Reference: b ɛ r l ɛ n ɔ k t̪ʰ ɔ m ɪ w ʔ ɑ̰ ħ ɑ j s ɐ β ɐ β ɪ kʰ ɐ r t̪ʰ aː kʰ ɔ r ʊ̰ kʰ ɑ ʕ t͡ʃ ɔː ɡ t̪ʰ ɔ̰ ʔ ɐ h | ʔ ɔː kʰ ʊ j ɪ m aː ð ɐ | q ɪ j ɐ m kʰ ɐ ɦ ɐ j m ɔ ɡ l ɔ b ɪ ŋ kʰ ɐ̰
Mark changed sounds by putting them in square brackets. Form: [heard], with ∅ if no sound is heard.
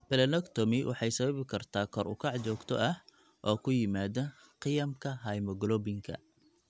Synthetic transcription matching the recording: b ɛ [∅] l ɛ n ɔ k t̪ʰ ɔ m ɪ w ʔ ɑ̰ ħ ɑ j s ɐ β ɐ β ɪ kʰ ɐ r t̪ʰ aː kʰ ɔ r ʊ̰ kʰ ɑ ʕ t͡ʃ ɔː ɡ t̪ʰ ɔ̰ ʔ ɐ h | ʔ ɔː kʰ ʊ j ɪ m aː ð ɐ | q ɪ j ɐ m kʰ ɐ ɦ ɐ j m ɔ ɡ l ɔ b ɪ ŋ kʰ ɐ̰